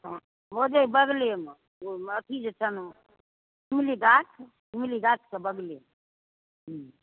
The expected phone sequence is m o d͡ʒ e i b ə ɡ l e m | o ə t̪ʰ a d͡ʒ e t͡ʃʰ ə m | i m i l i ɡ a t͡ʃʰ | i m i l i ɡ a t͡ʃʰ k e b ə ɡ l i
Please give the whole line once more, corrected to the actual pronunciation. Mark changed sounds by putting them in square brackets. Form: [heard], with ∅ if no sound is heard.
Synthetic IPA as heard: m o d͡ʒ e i b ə ɡ l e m | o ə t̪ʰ [i] d͡ʒ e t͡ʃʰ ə [n] | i m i l i ɡ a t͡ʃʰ | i m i l i ɡ a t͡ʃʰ k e b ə ɡ l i